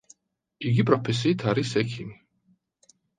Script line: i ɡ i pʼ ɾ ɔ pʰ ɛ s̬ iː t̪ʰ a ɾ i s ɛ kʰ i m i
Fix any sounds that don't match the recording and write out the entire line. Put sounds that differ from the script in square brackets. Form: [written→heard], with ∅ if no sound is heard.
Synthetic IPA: i ɡ i pʼ ɾ ɔ pʰ ɛ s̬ iː t̪ʰ a ɾ i s ɛ kʰ i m i